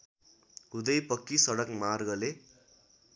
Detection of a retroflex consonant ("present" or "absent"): present